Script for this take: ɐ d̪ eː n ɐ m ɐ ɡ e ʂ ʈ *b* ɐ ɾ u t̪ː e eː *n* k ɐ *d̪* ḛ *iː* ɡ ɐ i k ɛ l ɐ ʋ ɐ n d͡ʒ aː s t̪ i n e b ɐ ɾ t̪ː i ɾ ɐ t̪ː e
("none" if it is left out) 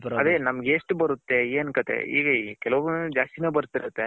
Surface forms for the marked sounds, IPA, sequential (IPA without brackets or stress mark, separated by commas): b, n, t̪, iː